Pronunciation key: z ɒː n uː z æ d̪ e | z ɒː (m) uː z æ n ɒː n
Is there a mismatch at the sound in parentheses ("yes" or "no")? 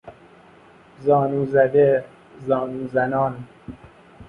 yes